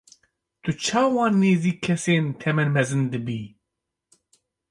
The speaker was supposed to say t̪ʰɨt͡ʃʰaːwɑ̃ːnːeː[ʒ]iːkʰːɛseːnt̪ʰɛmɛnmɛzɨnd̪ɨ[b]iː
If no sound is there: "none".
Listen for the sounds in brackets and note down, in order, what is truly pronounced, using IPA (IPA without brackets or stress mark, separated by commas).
z, b